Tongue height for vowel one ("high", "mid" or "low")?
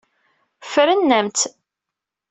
mid